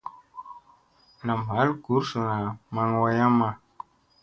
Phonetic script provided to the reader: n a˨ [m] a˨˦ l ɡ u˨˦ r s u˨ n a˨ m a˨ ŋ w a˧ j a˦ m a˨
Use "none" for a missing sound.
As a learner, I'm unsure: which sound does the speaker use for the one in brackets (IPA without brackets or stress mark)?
m